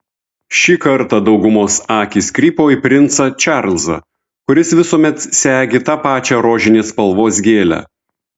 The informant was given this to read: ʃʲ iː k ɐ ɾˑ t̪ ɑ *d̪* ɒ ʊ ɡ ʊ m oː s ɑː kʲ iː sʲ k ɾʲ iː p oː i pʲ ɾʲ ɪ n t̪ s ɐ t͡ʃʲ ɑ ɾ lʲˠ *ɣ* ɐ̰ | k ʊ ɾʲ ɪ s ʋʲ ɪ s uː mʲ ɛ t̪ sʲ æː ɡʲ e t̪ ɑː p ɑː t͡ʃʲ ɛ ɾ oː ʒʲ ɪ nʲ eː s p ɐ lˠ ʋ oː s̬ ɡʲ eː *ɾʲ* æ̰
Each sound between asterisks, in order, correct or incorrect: correct, incorrect, incorrect

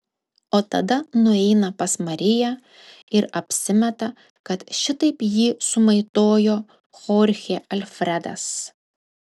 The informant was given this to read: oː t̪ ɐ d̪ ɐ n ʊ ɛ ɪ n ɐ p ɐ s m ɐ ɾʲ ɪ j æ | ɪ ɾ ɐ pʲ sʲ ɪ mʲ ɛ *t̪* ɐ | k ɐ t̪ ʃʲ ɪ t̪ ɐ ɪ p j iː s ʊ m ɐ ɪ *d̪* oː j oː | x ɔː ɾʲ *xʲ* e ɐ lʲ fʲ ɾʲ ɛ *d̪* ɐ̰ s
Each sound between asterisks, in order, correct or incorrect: correct, incorrect, correct, correct

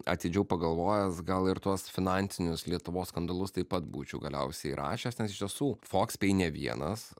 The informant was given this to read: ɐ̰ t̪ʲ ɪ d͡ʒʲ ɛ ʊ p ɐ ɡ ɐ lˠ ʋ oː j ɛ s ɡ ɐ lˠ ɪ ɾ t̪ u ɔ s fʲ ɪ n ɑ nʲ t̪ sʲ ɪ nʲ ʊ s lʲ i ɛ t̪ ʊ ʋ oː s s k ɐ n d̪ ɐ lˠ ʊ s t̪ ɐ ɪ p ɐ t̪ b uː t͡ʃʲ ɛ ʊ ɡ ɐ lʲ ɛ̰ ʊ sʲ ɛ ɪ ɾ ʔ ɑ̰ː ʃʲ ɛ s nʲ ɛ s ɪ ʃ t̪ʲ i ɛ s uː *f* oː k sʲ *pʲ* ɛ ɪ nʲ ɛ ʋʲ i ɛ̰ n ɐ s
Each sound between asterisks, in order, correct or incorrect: correct, correct

